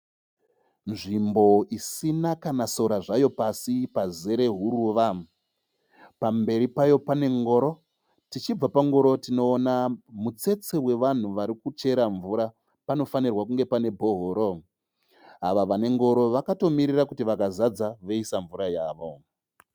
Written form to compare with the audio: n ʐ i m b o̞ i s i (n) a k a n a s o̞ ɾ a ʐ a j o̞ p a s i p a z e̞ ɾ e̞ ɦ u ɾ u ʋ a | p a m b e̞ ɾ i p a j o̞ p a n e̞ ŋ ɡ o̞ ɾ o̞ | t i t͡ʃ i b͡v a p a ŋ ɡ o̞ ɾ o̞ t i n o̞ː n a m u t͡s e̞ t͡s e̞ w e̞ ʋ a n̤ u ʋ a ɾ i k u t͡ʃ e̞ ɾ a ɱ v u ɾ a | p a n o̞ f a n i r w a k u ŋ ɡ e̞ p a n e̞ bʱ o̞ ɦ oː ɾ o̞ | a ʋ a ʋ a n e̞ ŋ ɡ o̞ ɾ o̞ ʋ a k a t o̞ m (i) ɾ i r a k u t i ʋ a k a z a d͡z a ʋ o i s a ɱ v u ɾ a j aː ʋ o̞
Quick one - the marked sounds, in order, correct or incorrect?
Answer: correct, correct

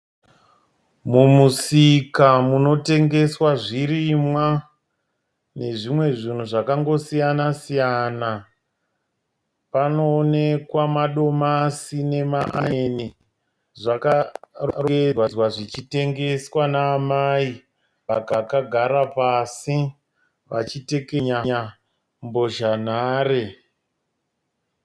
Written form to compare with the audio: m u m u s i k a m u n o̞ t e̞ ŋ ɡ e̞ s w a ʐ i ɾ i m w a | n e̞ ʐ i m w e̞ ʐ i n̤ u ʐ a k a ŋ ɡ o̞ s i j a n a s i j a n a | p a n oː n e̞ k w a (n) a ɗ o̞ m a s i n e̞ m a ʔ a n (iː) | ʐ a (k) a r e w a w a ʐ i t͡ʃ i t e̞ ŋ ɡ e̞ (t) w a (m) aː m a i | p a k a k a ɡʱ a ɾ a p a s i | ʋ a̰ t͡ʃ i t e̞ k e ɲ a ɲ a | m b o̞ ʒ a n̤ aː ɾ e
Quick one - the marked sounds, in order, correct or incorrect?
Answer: incorrect: m, incorrect: i, correct, incorrect: s, incorrect: n

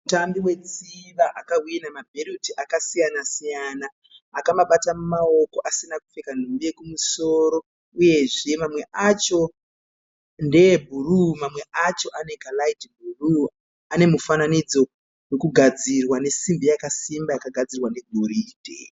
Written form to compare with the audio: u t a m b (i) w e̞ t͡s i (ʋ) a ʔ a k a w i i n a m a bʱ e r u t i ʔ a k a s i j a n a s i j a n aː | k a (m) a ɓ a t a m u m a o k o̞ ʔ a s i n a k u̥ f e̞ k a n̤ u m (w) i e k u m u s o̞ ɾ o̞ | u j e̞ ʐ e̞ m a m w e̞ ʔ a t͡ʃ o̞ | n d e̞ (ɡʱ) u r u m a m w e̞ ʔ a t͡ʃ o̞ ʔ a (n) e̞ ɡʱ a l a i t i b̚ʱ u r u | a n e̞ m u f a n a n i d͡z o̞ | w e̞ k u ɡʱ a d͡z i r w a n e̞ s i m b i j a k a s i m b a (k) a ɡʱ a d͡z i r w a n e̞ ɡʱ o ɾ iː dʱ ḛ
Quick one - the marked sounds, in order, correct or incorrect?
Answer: correct, correct, correct, incorrect: b, incorrect: bʱ, correct, correct

